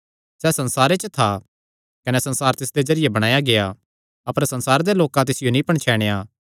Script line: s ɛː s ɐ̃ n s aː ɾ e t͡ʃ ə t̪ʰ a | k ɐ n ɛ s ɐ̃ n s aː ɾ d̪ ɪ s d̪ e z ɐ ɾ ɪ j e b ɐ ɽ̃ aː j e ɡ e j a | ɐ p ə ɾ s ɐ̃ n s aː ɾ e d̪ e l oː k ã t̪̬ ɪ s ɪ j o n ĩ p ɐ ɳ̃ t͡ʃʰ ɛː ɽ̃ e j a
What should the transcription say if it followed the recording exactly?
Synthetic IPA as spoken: s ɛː s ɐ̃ n s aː ɾ e t͡ʃ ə t̪ʰ a | k ɐ n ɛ s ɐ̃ n s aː ɾ t̪ ɪ s d̪ e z ɐ ɾ ɪ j e b ɐ ɽ̃ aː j a ɡ e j a | ɐ p ə ɾ s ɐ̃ n s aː ɾ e d̪ e l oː k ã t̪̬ ɪ s ɪ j o n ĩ p ɐ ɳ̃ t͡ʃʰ ɛː ɽ̃ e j a